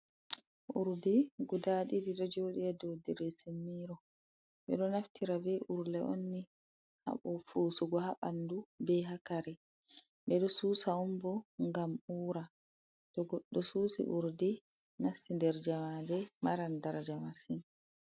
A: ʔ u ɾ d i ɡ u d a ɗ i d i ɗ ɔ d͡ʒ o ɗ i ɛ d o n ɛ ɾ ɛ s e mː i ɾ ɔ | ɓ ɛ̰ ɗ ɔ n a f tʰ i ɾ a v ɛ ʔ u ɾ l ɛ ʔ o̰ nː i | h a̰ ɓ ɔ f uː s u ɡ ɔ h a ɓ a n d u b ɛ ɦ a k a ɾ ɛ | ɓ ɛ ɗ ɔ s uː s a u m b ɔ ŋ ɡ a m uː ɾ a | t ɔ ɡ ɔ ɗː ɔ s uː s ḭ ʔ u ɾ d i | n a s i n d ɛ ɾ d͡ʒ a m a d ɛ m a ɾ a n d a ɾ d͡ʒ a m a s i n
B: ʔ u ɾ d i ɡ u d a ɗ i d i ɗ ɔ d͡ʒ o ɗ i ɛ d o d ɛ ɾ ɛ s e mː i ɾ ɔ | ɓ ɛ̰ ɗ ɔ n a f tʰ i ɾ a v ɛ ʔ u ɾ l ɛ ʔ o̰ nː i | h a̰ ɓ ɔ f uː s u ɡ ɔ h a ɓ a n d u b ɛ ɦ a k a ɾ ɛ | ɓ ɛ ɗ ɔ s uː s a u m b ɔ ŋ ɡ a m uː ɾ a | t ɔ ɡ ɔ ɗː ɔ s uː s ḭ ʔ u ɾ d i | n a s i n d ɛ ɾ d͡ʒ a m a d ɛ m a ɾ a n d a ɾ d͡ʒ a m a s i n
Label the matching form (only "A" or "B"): B